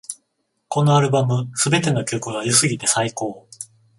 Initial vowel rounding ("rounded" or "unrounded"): rounded